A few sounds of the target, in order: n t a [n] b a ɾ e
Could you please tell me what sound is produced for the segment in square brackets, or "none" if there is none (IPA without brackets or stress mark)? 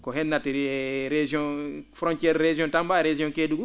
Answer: m